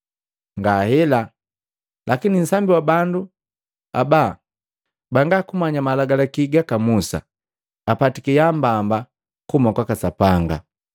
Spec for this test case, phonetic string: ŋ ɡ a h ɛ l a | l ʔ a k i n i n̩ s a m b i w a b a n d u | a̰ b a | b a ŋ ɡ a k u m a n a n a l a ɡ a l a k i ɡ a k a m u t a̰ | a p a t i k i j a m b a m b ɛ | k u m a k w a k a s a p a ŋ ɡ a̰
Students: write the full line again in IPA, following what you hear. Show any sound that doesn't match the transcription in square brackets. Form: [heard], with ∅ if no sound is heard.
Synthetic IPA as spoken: ŋ ɡ a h ɛ l a | l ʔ a k i n i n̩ s a m b i w a b a n d u | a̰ b a | b a ŋ ɡ a k u m a [ɲ] a [m] a l a ɡ a l a k i ɡ a k a m u [s] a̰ | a p a t i k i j a m b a m b [a] | k u m a k w a k a s a p a ŋ ɡ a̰